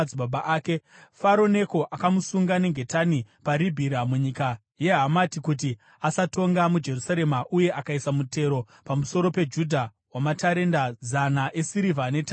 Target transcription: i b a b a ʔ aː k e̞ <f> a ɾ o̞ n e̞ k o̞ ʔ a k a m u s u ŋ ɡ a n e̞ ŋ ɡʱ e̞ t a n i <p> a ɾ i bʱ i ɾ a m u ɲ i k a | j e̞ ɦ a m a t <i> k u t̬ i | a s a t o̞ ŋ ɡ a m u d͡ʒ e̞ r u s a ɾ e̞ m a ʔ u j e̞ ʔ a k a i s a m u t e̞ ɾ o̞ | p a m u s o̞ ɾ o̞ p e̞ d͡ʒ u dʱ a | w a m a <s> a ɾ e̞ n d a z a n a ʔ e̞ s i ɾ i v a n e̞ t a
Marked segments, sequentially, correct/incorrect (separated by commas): correct, correct, correct, incorrect